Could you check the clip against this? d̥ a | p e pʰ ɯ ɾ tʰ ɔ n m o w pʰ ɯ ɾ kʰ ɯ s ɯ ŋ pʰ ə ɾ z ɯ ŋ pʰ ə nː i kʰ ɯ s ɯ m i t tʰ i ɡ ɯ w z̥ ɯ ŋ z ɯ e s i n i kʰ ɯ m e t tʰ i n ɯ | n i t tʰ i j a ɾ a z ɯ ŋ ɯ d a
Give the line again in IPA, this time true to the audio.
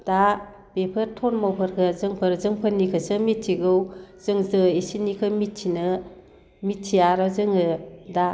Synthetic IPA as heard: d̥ a | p e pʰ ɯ ɾ tʰ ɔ n m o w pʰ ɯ ɾ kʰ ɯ z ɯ ŋ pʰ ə ɾ z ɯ ŋ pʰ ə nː i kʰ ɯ s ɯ m i t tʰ i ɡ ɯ w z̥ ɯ ŋ z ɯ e s i n i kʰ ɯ m i t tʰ i n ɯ | m i t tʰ i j a ɾ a z ɯ ŋ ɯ d a

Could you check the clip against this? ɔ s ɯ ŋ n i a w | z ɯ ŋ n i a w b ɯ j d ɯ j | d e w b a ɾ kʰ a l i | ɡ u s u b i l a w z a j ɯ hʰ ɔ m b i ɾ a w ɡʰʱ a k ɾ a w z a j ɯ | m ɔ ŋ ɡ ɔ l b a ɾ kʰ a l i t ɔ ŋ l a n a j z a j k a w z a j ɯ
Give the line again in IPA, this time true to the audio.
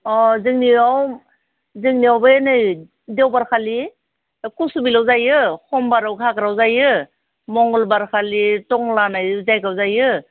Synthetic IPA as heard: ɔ z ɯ ŋ n i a w | z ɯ ŋ n i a w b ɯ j n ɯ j | d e w b a ɾ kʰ a l i | k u s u b i l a w z a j ɯ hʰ ɔ m b a ɾ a w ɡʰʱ a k ɾ a w z a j ɯ | m ɔ ŋ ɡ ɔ l b a ɾ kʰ a l i t ɔ ŋ l a n a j z a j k a w z a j ɯ

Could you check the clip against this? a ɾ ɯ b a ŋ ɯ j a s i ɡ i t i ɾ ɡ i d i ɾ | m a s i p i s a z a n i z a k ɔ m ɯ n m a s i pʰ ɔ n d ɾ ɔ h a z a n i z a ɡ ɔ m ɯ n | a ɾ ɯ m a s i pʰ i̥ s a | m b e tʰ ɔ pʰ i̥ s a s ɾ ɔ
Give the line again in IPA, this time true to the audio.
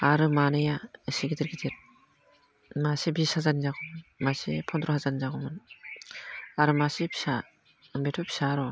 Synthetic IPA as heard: a ɾ ɯ m a n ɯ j a s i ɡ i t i ɾ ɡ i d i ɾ | m a s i b i s a z a n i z a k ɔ m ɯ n m a s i pʰ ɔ n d ɾ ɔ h a z a n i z a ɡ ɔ m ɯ n | a ɾ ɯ m a s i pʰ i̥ s a | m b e tʰ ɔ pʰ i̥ s a ɾ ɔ

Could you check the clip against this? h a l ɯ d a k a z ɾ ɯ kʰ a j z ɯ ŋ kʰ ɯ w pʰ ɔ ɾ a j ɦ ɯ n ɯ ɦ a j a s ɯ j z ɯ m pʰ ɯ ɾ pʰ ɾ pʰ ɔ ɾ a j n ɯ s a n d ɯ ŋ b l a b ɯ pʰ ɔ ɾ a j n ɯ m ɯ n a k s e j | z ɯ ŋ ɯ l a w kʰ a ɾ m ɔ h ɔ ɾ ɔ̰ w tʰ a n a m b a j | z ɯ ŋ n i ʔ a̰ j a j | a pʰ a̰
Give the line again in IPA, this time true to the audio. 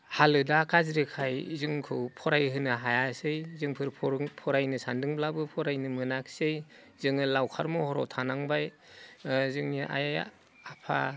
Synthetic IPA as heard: h a l ɯ d a k a z ɾ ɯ kʰ a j z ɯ ŋ kʰ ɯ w pʰ ɔ ɾ a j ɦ ɯ n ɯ ɦ a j a s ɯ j z ɯ ŋ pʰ ɯ ɾ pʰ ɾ pʰ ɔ ɾ a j n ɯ s a n d ɯ ŋ b l a b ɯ pʰ ɔ ɾ a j n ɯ m ɯ n a k s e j | z ɯ ŋ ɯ l a w kʰ a ɾ m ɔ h ɔ ɾ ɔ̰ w tʰ a n a ŋ b a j | z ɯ ŋ n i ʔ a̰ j a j | a pʰ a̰

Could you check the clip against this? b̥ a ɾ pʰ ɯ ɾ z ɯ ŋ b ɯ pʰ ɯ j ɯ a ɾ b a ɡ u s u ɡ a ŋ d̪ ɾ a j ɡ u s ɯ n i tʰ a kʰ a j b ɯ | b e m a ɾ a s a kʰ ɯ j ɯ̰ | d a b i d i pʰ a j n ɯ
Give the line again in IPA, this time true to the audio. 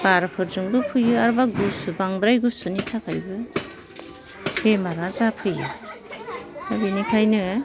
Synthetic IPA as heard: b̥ a ɾ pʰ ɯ ɾ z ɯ ŋ b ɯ pʰ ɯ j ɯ a ɾ b a ɡ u s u b a ŋ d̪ ɾ a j ɡ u s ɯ n i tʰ a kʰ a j b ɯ | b e m a ɾ a z a pʰ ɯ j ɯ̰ | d a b i n i kʰ a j n ɯ

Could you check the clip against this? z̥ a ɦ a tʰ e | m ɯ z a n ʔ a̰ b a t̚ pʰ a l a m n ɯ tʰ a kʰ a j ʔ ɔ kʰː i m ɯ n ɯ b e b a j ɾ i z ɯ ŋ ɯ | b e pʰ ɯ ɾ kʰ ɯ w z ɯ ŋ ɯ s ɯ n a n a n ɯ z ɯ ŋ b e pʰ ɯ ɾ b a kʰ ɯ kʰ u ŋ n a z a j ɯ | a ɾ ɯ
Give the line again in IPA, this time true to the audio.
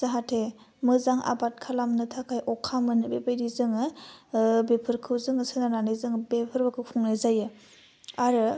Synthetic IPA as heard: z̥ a ɦ a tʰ e | m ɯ z a ŋ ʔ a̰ b a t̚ kʰ a l a m n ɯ tʰ a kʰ a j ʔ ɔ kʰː a m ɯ n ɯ b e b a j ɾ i z ɯ ŋ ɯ | b e pʰ ɯ ɾ kʰ ɯ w z ɯ ŋ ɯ s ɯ n a n a n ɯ z ɯ ŋ b e pʰ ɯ ɾ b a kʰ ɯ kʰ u ŋ n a z a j ɯ | a ɾ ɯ

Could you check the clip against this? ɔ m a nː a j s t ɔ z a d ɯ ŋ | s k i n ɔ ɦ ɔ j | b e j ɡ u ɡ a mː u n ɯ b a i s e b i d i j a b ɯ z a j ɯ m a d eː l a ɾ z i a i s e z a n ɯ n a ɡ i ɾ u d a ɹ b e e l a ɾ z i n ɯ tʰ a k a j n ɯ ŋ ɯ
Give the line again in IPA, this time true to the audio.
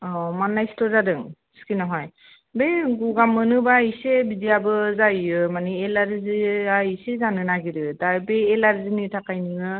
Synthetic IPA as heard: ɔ m a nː a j s t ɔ z a d ɯ ŋ | s k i n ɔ ɦ ɔ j | b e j ɡ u ɡ a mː ɯ n ɯ b a i s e b i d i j a b ɯ z a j ɯ m a n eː l a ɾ z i a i s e z a n ɯ n a ɡ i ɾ ɯ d a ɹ b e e l a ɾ z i n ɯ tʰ a k a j n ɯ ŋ ɯ

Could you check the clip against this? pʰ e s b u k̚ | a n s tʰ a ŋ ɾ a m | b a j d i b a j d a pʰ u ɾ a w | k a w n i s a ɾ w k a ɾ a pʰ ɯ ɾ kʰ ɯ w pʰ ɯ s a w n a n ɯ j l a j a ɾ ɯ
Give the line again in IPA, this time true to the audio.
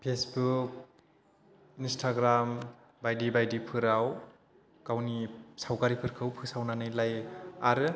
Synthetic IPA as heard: pʰ e s b u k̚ | i n s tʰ a ɡ ɾ a m | b a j d i b a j d i pʰ ɯ ɾ a w | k a w n i s a w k a ɾ i pʰ ɯ ɾ kʰ ɯ w pʰ ɯ s a w n a n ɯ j l a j a ɾ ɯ

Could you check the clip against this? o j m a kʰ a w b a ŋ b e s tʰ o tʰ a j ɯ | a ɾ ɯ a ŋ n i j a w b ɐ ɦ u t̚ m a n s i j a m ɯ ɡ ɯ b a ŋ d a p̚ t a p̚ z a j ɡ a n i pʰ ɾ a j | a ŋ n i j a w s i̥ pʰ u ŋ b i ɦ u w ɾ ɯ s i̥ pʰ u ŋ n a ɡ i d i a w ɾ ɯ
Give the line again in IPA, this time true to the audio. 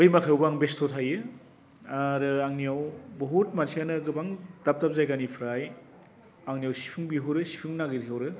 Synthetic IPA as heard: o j m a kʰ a w b a ŋ b e s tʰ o tʰ a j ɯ | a ɾ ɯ a ŋ n i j a w b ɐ ɦ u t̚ m a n s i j a n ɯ ɡ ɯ b a ŋ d a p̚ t a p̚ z a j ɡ a n i pʰ ɾ a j | a ŋ n i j a w s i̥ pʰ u ŋ b i ɦ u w ɾ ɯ s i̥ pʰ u ŋ n a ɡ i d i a w ɾ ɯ

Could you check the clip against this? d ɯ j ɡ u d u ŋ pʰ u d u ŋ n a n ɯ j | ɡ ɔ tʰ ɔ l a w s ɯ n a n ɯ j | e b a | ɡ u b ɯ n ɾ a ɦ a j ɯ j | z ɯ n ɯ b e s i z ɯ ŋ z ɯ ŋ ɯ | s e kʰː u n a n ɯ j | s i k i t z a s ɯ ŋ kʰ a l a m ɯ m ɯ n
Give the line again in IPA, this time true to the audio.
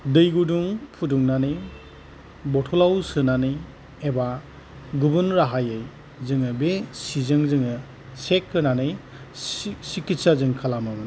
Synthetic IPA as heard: d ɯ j ɡ u d u ŋ pʰ u d u ŋ n a n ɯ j | b ɔ tʰ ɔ l a w s ɯ n a n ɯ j | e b a | ɡ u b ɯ n ɾ a ɦ a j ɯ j | z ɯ ŋ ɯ b e s i z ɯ ŋ z ɯ ŋ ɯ | s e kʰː ɯ n a n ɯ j | s i k i t s a z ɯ ŋ kʰ a l a m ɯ m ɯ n

